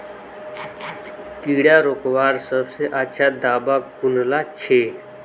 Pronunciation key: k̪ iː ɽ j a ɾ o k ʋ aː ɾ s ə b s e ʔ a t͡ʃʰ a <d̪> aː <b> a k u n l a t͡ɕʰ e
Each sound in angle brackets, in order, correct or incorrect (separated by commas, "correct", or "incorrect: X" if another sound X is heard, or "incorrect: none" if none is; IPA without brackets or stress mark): correct, correct